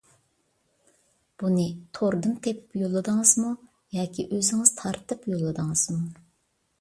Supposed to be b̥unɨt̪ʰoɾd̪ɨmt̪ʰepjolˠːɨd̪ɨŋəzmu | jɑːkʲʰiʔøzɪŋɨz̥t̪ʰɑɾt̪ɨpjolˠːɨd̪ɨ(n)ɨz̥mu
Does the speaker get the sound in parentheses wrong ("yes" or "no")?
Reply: yes